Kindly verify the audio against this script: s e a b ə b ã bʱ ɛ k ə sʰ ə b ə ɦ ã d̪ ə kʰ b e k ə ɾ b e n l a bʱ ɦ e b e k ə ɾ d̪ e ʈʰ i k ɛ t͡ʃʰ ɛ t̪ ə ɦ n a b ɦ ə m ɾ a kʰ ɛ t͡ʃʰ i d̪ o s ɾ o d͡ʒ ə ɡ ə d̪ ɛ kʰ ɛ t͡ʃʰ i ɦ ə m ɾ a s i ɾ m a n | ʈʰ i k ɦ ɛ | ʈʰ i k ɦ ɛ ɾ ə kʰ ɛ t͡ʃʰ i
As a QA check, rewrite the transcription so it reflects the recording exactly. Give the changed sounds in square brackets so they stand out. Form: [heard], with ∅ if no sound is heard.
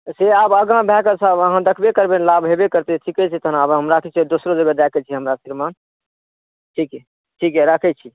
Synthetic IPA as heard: s e a b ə [ɡ] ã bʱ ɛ k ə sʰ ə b ə ɦ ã d̪ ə kʰ b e k ə ɾ b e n l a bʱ ɦ e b e k ə ɾ [t̪] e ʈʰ i k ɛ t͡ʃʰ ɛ t̪ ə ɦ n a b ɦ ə m ɾ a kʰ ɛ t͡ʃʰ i d̪ o s ɾ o d͡ʒ ə ɡ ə d̪ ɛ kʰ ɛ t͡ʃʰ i ɦ ə m ɾ a s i ɾ m a n | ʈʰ i k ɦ ɛ | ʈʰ i k ɦ ɛ ɾ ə kʰ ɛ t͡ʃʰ i